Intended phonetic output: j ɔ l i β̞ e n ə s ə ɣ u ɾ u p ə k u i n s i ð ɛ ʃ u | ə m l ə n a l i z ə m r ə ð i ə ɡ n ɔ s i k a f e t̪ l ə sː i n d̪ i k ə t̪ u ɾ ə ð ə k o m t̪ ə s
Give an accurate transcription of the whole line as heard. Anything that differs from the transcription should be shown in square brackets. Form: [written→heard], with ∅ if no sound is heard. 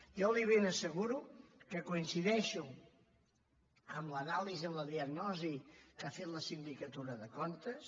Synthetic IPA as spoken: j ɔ l i β̞ e n ə s ə ɣ u ɾ u [p→k] ə k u i n s i ð ɛ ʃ u | ə m l ə n a l i z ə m [r→l] ə ð i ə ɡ n ɔ [s→z] i k a f e t̪ l ə [sː→s] i n d̪ i k ə t̪ u ɾ ə ð ə k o [m→n] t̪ ə s